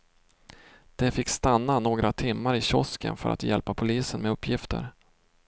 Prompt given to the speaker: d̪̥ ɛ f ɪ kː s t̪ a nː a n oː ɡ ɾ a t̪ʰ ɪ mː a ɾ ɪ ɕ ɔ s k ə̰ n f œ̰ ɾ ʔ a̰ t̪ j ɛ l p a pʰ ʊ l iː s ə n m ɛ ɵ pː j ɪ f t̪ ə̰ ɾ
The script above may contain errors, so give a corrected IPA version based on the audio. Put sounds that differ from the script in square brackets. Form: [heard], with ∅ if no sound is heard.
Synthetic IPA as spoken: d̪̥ ɛ f ɪ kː s t̪ a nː a n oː ɡ ɾ a t̪ʰ ɪ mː a ɾ ɪ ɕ ɔ s k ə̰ n f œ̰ ɾ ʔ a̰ t̪ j ɛ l p a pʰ ʊ l iː s ə n m ɛ ɵ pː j ɪ f t̪ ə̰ ɾ